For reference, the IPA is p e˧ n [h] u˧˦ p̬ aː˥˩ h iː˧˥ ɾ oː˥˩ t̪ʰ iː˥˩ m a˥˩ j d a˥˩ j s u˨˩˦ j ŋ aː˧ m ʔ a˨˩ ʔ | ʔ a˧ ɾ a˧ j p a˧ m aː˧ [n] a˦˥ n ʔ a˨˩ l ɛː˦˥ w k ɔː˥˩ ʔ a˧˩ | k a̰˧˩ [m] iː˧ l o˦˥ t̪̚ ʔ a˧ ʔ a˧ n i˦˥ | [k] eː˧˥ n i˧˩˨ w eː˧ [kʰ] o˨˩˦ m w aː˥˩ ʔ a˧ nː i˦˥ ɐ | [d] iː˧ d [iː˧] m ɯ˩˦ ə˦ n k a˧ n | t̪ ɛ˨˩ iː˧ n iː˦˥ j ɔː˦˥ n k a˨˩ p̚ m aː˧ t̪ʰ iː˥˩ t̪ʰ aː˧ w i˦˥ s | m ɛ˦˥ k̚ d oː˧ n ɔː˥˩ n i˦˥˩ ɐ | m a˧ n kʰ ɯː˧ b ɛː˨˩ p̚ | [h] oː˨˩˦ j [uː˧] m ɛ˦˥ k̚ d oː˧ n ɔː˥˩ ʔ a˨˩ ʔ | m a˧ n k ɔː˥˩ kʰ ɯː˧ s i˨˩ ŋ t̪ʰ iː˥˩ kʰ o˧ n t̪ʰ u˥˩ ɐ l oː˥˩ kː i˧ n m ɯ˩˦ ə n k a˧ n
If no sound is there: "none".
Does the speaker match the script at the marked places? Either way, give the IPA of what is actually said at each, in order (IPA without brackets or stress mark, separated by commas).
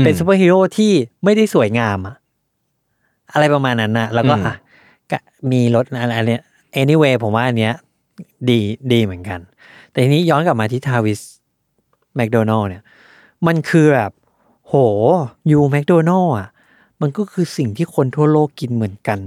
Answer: s, nː, m, ʔ, pʰ, d, iː˧, h, uː˧